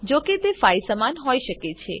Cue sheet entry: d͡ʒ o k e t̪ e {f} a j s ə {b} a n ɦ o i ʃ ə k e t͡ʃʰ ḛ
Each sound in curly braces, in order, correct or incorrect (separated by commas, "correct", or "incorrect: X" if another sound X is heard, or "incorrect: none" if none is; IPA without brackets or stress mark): correct, incorrect: m